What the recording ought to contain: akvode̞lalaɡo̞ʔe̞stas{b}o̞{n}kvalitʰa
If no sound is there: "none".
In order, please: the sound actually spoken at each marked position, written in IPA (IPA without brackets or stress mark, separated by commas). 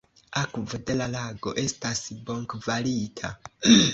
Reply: b, ŋ